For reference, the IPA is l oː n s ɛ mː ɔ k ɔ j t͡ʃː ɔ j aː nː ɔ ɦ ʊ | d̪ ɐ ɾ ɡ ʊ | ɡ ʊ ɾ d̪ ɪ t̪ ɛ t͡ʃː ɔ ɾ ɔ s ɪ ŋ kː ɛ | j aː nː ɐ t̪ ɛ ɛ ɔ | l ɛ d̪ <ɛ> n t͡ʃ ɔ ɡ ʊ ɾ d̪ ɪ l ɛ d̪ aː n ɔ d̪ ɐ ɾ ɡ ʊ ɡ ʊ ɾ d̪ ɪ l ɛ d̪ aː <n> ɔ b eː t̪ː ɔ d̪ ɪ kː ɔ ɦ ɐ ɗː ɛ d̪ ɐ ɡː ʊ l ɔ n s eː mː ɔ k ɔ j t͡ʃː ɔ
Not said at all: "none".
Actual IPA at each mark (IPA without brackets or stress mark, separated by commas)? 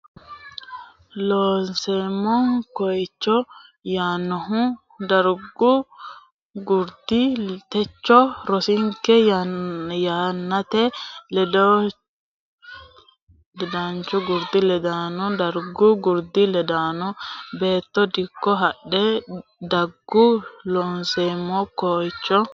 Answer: a, n